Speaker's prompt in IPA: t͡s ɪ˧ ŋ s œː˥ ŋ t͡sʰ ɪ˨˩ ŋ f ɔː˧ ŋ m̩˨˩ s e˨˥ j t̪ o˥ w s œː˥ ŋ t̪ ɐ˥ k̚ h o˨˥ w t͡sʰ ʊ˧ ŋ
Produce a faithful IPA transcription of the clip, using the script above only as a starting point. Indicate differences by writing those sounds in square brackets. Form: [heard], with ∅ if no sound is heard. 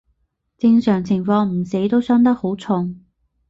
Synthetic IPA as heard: t͡s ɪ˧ ŋ s [œː˨˩] ŋ t͡sʰ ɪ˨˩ ŋ f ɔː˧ ŋ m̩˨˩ s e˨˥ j t̪ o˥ w s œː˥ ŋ t̪ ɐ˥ k̚ h o˨˥ w t͡sʰ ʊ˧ ŋ